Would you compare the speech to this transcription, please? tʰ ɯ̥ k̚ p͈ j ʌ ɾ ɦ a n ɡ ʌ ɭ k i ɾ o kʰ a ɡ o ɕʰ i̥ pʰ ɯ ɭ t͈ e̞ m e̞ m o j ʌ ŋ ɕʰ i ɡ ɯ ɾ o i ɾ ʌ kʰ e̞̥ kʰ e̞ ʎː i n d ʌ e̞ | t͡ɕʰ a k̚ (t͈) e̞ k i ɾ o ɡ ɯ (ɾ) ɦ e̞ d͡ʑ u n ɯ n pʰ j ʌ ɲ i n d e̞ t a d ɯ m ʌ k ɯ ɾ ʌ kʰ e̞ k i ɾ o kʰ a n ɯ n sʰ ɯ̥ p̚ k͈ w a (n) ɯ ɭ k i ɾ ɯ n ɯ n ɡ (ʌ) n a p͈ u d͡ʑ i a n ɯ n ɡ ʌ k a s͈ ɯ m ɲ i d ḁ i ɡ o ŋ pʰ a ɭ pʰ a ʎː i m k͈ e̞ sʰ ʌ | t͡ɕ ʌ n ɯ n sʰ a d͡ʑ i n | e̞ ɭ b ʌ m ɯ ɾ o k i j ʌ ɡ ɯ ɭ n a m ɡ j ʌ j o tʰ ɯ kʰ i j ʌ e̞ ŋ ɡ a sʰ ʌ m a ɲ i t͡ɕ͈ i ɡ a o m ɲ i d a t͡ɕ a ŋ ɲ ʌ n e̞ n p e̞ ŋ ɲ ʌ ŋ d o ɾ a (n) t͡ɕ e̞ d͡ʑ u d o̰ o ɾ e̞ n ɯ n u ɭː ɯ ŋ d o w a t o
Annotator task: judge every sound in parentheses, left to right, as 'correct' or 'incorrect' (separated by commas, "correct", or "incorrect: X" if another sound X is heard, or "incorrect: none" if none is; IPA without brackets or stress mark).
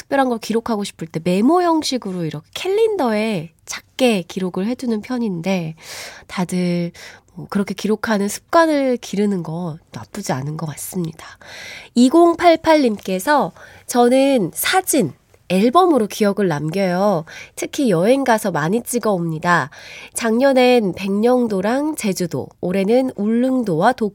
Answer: incorrect: k͈, incorrect: ɭ, correct, correct, incorrect: ŋ